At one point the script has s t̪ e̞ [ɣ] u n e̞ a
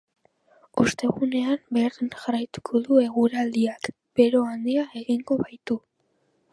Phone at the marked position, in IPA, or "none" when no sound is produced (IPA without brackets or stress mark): ɣ